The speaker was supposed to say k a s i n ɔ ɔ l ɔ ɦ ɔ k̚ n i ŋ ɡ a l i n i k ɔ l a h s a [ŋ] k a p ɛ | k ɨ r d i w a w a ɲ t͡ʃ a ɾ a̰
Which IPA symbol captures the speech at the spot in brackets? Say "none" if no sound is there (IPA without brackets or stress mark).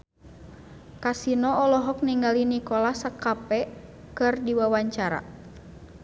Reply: none